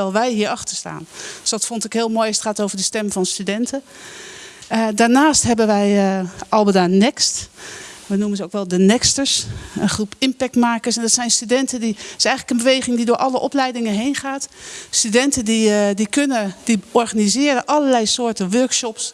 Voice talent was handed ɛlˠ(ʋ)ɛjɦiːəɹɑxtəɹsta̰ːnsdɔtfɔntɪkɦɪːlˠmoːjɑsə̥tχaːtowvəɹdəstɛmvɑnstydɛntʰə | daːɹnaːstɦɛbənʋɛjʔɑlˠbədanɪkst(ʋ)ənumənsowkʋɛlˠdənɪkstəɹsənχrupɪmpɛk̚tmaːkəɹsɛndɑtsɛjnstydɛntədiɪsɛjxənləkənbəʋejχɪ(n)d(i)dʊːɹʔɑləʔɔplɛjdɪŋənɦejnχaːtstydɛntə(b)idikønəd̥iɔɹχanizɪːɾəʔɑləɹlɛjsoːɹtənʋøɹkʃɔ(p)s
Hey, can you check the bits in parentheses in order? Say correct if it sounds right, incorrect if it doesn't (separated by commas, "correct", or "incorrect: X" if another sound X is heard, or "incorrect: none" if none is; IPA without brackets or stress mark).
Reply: correct, correct, incorrect: ŋ, correct, incorrect: d, correct